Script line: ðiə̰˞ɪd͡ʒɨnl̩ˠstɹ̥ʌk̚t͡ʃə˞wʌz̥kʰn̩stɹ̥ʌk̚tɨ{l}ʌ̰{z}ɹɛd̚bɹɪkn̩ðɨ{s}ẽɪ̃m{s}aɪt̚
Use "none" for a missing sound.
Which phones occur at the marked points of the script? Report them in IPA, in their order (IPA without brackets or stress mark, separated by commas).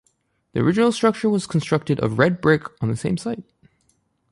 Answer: ɾ, v, s, s